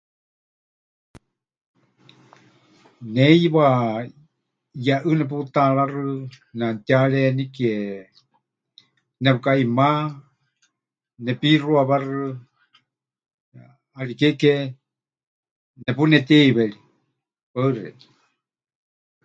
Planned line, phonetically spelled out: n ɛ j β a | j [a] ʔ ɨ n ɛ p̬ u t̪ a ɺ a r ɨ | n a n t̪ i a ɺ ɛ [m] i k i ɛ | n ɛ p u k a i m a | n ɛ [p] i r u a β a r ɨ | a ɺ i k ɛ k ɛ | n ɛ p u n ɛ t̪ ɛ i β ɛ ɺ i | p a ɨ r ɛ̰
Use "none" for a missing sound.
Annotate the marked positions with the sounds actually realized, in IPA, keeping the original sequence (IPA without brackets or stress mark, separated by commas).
a, n, p